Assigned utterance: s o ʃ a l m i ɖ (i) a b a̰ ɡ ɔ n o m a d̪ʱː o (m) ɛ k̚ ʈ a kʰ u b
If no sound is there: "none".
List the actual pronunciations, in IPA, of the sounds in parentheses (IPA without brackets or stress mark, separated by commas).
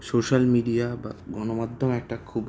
i, m